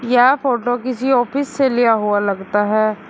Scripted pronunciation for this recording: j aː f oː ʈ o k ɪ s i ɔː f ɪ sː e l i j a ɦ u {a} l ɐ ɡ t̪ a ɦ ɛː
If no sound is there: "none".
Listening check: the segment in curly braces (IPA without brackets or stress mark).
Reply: a